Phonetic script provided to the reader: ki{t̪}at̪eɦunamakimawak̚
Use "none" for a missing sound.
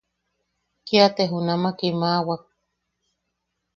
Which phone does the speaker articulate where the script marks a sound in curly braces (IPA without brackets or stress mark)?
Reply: none